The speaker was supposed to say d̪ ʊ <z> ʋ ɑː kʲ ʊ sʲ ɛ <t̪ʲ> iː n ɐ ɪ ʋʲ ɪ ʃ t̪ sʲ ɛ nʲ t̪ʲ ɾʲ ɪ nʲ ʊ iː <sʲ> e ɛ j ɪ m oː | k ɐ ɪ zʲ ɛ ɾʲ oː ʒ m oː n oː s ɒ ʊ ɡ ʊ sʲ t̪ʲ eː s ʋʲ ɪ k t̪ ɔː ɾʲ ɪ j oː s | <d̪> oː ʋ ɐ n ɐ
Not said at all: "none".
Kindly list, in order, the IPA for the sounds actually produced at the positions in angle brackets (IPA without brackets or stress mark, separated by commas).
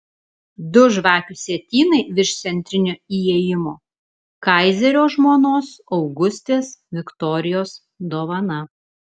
ʒ, t̪ʲ, none, d̪